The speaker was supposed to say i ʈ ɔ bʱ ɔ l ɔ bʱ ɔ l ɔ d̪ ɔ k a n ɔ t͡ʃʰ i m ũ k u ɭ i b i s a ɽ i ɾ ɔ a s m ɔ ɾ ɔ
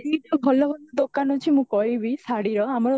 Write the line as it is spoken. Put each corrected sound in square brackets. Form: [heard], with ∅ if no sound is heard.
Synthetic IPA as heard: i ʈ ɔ bʱ ɔ l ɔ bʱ ɔ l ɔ d̪ [o] k a n ɔ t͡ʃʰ i m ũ k [ɔ] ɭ i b i s a ɽ i ɾ ɔ a [∅] m ɔ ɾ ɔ